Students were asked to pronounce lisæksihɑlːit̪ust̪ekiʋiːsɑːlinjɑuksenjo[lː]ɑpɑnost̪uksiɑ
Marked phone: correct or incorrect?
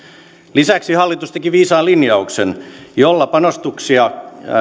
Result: correct